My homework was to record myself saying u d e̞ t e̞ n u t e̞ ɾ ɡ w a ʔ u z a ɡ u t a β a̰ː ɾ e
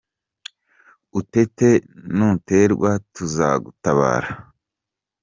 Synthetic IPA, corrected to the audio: u t e̞ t e̞ n u t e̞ ɾ ɡ w a t u z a ɡ u t a β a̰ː ɾ a

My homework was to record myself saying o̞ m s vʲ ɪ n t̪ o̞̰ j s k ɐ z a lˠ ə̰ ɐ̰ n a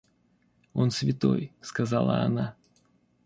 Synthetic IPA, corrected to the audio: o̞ n s vʲ ɪ t̪ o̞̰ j s k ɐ z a lˠ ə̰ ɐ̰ n a

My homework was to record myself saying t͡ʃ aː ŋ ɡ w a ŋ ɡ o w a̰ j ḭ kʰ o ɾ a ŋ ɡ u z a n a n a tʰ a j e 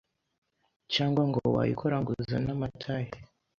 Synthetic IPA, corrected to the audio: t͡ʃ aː ŋ ɡ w a ŋ ɡ o w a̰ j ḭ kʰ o ɾ a ŋ ɡ u z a n a m a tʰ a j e

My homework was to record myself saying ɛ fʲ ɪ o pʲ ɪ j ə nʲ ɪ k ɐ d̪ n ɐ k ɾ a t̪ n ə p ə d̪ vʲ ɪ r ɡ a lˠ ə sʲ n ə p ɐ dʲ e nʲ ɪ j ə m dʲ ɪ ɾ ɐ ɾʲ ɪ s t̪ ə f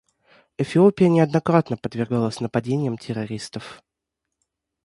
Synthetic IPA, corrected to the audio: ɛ fʲ ɪ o pʲ ɪ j ə nʲ ɪ ɐ d̪ n ɐ k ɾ a t̪ n ə p ə d̪ vʲ ɪ r ɡ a lˠ ə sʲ n ə p ɐ dʲ e nʲ ɪ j ə m tʲ ɪ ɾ ɐ ɾʲ i s t̪ ə f

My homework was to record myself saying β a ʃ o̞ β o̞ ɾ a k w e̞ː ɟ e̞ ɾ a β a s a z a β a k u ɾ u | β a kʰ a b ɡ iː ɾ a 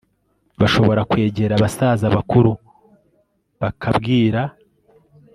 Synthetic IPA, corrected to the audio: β a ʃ o̞ β o̞ ɾ a k w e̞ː ɟ e̞ ɾ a β a s a z a β a k u ɾ u | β a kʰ a b ɡ iː ɾ a

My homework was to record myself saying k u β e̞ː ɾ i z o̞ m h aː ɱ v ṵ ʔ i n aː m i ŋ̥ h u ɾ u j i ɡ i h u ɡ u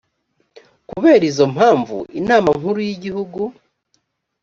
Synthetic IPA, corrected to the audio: k u β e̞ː ɾ i z o̞ m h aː ɱ v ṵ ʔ i n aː m a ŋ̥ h u ɾ u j i ɟ i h u ɡ u

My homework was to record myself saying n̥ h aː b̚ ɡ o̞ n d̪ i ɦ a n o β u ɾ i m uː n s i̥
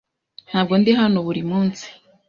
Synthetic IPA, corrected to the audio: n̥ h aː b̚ ɡ o̞ n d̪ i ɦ a n o β u ɾ i m uː n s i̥

